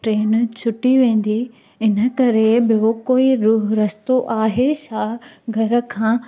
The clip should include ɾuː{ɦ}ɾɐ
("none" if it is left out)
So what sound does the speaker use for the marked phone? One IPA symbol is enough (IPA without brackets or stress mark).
ɦ